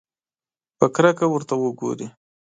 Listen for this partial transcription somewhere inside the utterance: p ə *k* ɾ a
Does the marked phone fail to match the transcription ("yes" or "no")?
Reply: no